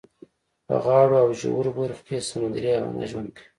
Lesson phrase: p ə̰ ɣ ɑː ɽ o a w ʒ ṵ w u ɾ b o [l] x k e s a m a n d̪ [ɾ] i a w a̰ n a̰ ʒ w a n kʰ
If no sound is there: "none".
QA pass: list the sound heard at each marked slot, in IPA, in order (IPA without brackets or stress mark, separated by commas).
ɾ, ɾ